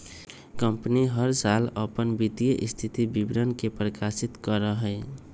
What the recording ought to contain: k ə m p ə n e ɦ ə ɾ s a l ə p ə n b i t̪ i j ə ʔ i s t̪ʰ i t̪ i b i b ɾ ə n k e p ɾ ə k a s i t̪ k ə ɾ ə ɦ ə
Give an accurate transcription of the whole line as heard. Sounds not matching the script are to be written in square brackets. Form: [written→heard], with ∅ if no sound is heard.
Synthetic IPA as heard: k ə m p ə n [e→i] ɦ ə ɾ s a l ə p ə n b i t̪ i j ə ʔ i s t̪ʰ i t̪ i b i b ɾ ə n k e p ɾ ə k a s i t̪ k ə ɾ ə ɦ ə